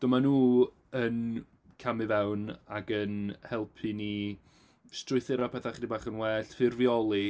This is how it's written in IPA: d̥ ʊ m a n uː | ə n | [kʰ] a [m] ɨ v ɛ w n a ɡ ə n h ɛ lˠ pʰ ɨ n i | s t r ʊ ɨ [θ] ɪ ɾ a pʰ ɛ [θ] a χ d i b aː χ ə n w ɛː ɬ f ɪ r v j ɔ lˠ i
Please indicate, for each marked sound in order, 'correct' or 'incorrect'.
correct, correct, correct, correct

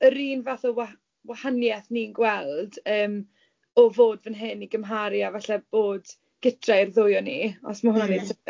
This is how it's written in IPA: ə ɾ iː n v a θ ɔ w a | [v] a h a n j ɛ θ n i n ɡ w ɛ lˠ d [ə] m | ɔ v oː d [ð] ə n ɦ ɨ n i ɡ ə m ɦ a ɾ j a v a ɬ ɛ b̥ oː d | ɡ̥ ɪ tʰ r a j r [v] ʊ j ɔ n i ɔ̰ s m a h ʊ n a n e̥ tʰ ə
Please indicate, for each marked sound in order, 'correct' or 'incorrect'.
incorrect: w, incorrect: əː, incorrect: v, incorrect: ð

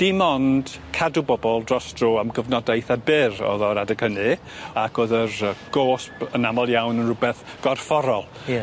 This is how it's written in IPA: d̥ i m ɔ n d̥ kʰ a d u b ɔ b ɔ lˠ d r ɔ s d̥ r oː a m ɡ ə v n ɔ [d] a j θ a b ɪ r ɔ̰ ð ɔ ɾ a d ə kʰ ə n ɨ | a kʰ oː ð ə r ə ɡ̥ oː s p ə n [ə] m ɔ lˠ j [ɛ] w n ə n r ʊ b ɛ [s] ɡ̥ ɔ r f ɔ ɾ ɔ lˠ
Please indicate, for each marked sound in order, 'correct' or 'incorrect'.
correct, incorrect: a, incorrect: a, incorrect: θ

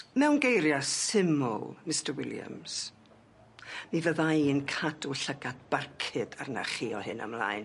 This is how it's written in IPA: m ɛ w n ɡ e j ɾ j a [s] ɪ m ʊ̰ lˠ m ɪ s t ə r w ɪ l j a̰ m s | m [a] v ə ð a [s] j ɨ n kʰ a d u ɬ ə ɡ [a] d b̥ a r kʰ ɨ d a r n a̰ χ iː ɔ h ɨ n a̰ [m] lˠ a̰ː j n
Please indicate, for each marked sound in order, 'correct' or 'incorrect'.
correct, incorrect: i, incorrect: none, correct, correct

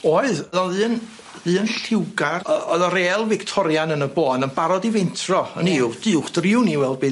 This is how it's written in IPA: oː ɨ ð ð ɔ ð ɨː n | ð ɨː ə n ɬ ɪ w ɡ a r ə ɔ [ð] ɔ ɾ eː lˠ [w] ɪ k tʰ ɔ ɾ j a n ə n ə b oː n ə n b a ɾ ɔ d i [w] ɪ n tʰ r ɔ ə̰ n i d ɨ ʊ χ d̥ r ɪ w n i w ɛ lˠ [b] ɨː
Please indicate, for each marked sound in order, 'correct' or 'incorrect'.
correct, incorrect: v, incorrect: v, correct

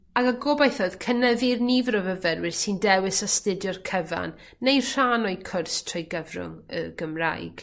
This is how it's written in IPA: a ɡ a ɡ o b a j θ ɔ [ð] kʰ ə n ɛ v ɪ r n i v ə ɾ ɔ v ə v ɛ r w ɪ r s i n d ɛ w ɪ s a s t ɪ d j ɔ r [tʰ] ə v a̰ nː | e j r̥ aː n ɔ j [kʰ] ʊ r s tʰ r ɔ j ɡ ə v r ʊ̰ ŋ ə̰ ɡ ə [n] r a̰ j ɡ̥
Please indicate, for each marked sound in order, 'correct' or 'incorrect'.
correct, incorrect: kʰ, correct, incorrect: m

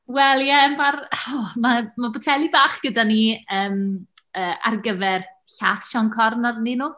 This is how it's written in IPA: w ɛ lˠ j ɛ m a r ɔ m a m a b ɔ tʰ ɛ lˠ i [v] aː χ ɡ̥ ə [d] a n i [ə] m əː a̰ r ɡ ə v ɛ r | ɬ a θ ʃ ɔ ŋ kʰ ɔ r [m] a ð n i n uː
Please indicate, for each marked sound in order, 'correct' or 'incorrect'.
incorrect: b, correct, incorrect: əː, incorrect: n

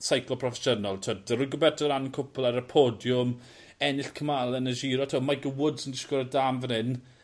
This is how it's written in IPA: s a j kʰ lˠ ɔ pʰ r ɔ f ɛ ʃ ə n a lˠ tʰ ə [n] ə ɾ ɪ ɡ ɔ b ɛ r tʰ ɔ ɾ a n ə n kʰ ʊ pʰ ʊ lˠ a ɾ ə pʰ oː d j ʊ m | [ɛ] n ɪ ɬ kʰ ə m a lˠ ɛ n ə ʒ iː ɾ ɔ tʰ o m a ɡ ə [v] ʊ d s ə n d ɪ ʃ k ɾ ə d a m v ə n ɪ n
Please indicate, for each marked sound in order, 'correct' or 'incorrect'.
incorrect: d, correct, incorrect: w

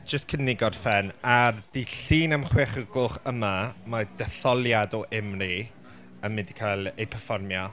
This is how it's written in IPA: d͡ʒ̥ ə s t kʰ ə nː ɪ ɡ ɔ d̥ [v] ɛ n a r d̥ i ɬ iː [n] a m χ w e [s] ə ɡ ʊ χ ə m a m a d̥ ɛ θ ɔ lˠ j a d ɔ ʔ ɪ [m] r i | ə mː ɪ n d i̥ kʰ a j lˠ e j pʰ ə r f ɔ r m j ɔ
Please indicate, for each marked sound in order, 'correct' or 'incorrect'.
incorrect: f, correct, incorrect: χ, correct

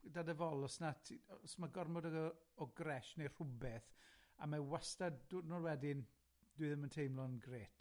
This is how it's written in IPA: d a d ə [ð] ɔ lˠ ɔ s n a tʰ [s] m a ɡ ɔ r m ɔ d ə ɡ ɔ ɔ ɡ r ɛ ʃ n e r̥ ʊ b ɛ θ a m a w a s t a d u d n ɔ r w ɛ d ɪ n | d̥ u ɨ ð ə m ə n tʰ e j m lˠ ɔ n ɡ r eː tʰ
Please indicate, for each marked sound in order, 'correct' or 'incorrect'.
incorrect: v, correct

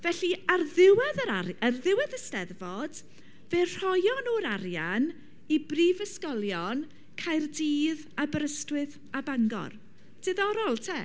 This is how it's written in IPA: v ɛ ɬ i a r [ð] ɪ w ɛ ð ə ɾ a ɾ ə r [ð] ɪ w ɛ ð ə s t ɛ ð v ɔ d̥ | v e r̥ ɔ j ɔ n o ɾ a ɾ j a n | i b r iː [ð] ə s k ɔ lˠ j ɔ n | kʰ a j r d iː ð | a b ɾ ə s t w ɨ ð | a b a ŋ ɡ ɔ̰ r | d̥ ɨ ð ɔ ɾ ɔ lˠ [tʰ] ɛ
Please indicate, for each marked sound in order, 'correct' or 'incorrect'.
correct, correct, incorrect: v, correct

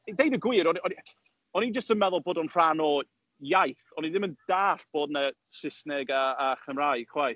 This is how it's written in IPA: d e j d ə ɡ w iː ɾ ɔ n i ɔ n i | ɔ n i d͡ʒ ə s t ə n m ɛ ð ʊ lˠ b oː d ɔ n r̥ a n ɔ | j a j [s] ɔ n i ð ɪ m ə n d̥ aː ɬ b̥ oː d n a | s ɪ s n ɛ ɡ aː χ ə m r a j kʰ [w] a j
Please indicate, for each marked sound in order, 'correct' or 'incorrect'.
incorrect: θ, correct

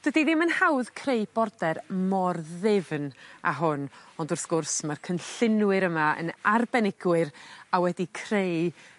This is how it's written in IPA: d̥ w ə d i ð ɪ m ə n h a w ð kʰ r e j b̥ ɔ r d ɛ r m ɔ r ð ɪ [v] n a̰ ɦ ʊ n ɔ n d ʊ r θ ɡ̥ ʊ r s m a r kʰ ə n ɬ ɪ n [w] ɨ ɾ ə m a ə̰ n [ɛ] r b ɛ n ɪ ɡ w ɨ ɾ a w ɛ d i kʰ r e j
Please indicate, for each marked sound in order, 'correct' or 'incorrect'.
correct, correct, incorrect: a

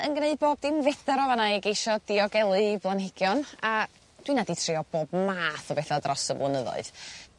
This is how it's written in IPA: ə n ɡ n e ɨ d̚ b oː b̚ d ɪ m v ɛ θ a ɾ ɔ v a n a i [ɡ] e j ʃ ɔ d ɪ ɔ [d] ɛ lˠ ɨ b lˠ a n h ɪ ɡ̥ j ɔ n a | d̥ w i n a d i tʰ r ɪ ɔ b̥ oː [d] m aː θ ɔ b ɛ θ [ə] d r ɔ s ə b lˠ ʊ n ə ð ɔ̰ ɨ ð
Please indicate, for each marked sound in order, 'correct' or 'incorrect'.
correct, incorrect: ɡ, incorrect: b, incorrect: a

